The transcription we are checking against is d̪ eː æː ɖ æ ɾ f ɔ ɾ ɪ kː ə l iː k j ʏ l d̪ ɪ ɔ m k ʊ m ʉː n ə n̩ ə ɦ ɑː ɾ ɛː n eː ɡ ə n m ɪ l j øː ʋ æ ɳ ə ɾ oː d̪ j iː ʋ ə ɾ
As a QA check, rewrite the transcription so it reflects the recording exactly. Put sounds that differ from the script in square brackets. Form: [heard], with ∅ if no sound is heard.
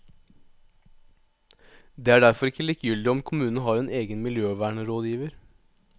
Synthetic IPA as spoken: d̪ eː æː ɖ æ ɾ f ɔ ɾ ɪ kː ə l iː k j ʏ l d̪ ɪ ɔ m [kʰ] ʊ m ʉː n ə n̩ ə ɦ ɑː ɾ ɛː n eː ɡ ə n m ɪ l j øː ʋ [æː] ɳ ə ɾ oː d̪ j iː ʋ ə ɾ